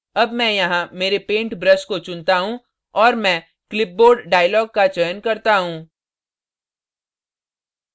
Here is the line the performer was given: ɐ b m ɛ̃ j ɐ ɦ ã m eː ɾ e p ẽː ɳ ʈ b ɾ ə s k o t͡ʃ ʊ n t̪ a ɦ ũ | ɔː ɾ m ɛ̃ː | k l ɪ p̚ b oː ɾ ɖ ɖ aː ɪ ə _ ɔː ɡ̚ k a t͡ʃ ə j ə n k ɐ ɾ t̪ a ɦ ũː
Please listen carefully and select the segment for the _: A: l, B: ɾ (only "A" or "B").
A